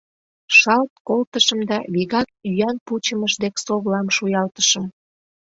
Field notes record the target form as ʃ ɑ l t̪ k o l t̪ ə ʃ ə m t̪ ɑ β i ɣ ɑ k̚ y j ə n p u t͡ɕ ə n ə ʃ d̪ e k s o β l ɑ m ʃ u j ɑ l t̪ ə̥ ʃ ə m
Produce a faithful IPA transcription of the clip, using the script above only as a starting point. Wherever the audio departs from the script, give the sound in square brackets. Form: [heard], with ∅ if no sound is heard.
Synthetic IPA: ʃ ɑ l t̪ k o l t̪ ə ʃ ə m [d̪] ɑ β i ɣ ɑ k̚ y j [ɑ] n p u t͡ɕ ə [m] ə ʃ d̪ e k s o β l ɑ m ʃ u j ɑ l t̪ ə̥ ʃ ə m